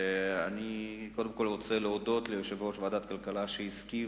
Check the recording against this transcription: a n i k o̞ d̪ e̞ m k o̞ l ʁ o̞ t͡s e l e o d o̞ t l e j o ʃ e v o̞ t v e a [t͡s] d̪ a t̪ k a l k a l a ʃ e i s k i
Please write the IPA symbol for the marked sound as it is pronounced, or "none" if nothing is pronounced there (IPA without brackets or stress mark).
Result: none